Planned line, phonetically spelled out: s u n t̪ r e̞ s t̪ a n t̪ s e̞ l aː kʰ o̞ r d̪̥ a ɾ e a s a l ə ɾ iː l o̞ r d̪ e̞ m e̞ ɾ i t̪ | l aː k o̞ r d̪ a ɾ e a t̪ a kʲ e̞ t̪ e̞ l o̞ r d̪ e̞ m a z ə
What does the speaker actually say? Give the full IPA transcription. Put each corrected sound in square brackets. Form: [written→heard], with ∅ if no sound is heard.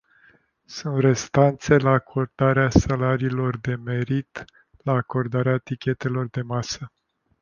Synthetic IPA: s u n t̪ r e̞ s t̪ a n t̪ s e̞ l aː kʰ o̞ r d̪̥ a ɾ e a s a l [ə→a] ɾ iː l o̞ r d̪ e̞ m e̞ ɾ i t̪ | l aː k o̞ r d̪ a ɾ e a t̪ [a→i] kʲ e̞ t̪ e̞ l o̞ r d̪ e̞ m a [z→s] ə